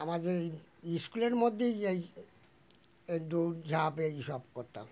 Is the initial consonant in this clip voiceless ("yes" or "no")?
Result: no